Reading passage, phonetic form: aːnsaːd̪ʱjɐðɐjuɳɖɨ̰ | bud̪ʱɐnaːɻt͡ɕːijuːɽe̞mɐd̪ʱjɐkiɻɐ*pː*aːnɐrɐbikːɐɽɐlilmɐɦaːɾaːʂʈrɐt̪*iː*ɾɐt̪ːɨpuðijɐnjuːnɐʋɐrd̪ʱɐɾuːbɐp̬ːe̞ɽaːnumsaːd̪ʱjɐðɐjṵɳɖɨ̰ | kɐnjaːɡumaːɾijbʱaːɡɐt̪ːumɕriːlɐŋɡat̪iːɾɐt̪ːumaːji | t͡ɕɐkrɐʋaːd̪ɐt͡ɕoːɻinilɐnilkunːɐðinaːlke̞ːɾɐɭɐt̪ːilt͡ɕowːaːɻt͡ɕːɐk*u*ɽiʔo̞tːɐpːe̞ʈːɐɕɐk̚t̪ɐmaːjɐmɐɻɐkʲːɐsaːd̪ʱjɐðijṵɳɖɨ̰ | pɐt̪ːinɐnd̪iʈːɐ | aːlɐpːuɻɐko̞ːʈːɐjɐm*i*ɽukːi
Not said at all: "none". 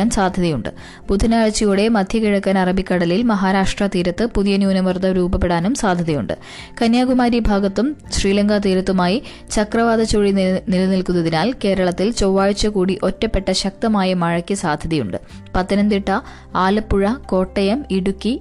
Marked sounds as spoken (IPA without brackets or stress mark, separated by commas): kː, iː, uː, i